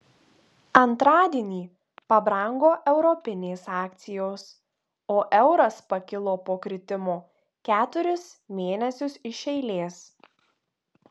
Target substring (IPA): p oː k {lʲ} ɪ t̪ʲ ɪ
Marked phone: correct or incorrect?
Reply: incorrect: ɾʲ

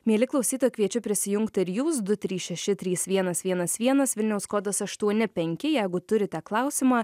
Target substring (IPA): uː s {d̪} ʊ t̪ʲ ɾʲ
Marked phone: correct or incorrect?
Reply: correct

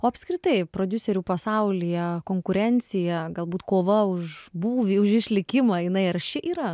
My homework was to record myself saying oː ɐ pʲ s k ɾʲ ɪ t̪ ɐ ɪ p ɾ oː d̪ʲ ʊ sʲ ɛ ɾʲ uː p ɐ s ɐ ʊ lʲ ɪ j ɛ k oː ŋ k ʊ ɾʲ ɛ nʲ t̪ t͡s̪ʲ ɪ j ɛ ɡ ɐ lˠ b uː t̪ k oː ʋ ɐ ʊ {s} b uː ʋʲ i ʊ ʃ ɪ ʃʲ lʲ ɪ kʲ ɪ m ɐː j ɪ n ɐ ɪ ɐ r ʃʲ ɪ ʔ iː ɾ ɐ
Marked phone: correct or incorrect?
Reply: incorrect: ʃ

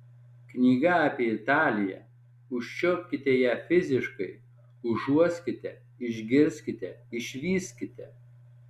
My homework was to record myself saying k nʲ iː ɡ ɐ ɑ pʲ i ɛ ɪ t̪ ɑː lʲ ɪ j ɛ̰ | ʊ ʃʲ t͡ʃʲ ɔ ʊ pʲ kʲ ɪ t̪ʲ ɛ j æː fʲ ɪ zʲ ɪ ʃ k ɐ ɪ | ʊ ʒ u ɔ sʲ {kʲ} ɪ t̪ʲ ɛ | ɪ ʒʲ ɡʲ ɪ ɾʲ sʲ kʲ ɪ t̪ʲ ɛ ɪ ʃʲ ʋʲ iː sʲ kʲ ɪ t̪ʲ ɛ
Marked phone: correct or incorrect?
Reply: correct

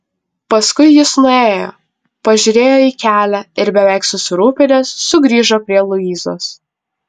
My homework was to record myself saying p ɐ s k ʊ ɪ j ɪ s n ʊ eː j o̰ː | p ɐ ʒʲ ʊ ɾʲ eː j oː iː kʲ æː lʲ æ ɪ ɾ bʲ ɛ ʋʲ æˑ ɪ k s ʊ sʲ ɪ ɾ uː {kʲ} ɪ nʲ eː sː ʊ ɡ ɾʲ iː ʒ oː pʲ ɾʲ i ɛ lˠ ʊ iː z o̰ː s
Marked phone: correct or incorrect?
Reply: incorrect: pʲ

